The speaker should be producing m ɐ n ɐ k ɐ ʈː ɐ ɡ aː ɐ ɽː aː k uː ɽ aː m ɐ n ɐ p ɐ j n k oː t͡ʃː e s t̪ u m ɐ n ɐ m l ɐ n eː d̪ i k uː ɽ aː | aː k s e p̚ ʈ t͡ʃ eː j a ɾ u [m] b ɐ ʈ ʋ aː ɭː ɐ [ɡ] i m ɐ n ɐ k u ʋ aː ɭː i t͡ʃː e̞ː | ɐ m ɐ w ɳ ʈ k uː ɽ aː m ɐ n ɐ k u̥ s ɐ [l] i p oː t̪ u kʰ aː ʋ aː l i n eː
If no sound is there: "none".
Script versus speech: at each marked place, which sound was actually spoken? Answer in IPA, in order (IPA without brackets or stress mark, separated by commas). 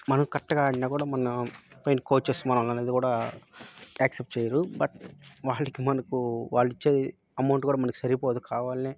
none, k, ɾ